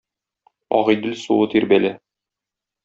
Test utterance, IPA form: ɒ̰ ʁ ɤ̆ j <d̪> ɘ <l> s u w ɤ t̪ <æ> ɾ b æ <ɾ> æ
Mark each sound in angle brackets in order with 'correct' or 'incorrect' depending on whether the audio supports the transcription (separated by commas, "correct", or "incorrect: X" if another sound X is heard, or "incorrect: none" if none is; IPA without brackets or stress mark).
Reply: correct, correct, incorrect: i, incorrect: l